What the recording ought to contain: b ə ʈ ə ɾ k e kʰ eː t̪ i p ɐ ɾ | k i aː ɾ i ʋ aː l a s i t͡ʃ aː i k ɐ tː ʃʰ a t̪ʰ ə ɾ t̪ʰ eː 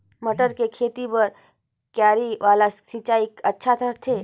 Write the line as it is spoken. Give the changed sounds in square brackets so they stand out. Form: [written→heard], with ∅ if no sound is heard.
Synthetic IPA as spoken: [b→m] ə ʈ ə ɾ k e kʰ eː t̪ i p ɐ ɾ | k [i→j] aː ɾ i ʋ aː l a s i t͡ʃ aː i k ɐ tː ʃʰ a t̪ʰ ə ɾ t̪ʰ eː